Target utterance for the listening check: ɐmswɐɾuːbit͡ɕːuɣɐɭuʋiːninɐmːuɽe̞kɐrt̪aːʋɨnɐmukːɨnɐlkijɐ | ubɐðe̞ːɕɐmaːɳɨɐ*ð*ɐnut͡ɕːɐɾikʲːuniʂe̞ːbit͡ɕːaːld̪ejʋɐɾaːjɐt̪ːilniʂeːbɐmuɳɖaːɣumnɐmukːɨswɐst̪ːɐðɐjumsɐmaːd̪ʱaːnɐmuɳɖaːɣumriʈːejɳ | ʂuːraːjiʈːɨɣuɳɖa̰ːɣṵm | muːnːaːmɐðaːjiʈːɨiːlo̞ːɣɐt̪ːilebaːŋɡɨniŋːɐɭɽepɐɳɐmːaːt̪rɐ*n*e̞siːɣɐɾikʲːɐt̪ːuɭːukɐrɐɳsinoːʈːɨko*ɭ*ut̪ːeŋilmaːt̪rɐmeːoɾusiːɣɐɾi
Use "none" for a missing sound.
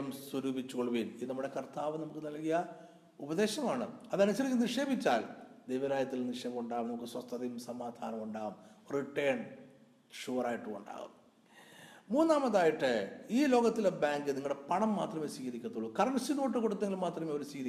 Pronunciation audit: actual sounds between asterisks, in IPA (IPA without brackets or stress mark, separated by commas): ð, m, ɽ